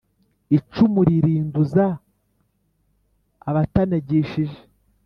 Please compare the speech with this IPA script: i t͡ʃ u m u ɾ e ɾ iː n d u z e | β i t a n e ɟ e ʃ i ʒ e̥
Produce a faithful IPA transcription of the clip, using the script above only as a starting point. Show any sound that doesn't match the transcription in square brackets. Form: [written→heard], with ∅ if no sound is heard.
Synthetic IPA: i t͡ʃ u m u ɾ [e→i] ɾ iː n d u z [e→a] | β [i→a] t a n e ɟ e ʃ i ʒ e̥